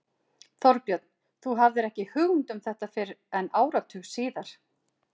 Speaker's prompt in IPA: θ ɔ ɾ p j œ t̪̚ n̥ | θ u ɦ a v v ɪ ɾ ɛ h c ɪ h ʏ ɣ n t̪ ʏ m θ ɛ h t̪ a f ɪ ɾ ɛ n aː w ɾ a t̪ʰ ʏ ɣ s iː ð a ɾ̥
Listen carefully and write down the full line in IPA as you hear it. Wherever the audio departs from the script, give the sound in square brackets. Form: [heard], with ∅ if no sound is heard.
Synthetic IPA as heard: θ ɔ ɾ p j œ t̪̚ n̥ | θ u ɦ a v [ð] ɪ ɾ ɛ h c ɪ h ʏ ɣ n t̪ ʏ m θ ɛ h t̪ a f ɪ ɾ ɛ n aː w ɾ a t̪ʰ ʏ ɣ s iː ð a ɾ̥